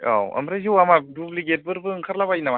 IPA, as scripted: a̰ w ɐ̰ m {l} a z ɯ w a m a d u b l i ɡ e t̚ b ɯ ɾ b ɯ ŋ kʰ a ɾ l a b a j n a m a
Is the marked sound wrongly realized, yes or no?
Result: yes